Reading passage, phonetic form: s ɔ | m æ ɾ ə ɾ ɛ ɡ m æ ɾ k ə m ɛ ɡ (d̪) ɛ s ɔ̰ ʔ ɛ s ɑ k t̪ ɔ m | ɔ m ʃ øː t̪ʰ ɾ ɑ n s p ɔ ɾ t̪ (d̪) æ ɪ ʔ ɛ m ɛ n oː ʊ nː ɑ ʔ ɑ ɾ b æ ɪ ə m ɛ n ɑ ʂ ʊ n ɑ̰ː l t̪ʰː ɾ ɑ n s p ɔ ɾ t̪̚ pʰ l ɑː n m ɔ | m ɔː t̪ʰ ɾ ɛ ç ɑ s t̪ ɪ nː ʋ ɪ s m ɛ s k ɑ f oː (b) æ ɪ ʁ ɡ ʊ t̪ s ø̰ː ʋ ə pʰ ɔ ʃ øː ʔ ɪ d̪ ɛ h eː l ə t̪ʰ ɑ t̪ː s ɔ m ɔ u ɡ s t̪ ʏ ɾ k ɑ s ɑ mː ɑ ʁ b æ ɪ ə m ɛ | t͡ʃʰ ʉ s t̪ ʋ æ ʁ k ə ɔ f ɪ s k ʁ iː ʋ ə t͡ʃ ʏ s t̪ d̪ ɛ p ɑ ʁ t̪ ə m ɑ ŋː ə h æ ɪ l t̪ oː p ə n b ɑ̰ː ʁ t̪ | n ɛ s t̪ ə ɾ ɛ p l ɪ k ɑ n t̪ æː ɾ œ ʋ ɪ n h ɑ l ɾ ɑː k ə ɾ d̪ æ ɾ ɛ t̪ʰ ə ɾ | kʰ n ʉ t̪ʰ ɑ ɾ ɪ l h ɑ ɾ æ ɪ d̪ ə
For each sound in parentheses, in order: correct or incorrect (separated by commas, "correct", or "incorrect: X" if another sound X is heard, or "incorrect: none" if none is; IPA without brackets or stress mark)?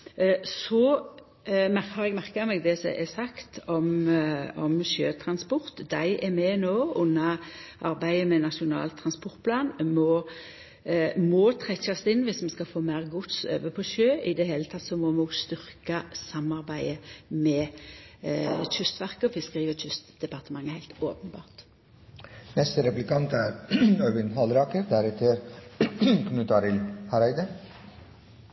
correct, correct, incorrect: m